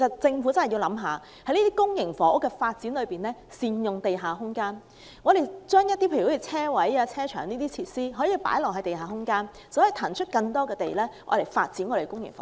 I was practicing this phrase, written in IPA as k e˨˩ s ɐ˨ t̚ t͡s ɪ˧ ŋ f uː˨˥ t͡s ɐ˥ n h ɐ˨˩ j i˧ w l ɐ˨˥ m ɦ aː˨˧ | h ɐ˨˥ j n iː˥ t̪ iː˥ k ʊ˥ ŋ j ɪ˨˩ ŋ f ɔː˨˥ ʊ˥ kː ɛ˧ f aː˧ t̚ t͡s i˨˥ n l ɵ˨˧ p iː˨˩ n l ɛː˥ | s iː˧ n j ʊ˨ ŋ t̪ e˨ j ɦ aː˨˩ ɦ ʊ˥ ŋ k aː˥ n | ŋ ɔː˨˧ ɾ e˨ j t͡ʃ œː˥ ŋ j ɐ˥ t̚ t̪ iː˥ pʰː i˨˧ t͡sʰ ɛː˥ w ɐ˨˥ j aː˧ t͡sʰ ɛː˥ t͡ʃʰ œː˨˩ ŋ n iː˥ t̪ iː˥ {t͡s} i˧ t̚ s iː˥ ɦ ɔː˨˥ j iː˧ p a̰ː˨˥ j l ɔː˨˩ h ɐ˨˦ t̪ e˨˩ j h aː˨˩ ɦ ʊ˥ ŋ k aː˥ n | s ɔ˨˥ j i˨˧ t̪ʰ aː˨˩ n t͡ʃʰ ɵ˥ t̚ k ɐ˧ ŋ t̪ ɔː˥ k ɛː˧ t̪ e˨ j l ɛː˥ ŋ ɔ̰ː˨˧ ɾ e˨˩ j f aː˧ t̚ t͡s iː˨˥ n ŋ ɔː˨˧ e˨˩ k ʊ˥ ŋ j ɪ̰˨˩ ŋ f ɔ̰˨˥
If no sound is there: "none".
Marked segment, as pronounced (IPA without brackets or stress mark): t͡sʰ